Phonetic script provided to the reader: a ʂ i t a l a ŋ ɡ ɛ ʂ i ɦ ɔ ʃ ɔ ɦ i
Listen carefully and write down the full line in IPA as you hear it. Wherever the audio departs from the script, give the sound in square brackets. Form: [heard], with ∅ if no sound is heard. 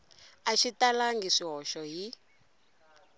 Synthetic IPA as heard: a [ʃ] i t a l a ŋ ɡ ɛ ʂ i ɦ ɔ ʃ ɔ ɦ i